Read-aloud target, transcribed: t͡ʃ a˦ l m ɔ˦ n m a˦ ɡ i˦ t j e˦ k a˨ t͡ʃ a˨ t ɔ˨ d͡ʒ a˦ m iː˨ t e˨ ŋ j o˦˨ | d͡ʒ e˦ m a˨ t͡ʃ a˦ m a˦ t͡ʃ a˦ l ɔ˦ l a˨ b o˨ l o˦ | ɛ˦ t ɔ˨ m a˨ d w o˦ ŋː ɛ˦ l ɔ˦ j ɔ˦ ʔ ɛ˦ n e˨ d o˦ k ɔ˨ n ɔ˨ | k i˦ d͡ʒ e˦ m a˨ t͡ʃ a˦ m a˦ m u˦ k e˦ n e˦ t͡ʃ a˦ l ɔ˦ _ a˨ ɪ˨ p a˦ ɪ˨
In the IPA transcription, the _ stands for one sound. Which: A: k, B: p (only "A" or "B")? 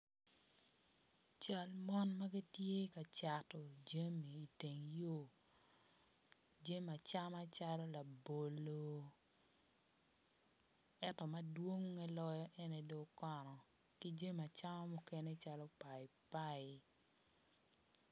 B